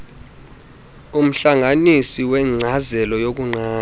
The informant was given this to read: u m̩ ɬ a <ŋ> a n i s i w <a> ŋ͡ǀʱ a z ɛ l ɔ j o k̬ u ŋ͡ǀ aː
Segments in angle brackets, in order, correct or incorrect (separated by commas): correct, incorrect